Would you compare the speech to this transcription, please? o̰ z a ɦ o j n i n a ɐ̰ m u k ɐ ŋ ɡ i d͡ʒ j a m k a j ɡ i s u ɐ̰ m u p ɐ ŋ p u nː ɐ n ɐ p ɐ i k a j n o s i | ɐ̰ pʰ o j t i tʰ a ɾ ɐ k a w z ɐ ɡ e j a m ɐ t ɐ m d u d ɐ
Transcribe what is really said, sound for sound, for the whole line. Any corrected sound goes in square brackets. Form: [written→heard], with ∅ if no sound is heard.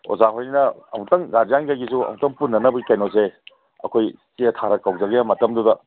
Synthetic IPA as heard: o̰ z a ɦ o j n i n [a→ɐ] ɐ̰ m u [k→t] ɐ ŋ ɡ [i→a] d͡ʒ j a [m→ŋ] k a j ɡ i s u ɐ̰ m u [p→t] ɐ ŋ p u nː ɐ n ɐ [p→b] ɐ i k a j n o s [i→e] | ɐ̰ [pʰ→kʰ] o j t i tʰ a ɾ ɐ k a w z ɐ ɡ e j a m ɐ t ɐ m d u d ɐ